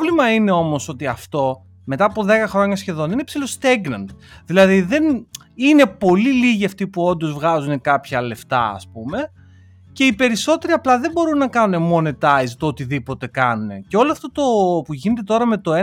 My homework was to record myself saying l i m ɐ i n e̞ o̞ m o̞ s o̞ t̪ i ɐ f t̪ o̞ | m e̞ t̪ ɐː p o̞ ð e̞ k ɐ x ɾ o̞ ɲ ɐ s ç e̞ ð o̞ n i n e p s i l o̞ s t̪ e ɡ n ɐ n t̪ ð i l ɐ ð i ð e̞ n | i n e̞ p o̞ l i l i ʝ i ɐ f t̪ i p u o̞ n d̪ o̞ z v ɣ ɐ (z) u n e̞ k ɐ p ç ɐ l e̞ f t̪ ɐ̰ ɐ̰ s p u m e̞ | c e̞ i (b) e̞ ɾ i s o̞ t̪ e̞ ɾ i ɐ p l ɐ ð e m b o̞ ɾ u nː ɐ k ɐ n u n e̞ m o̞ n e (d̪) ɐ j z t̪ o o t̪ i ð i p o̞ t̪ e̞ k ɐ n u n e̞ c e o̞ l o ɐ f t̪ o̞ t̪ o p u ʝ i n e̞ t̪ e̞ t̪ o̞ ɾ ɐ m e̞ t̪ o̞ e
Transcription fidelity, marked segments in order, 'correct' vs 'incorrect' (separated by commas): correct, incorrect, incorrect